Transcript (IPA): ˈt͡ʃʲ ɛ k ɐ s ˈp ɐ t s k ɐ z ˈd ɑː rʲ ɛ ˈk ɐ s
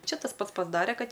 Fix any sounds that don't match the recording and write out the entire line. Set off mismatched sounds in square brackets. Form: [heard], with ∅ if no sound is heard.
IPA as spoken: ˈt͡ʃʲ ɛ [t] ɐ s ˈp ɐ t s [p] ɐ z ˈd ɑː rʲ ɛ ˈk ɐ [t]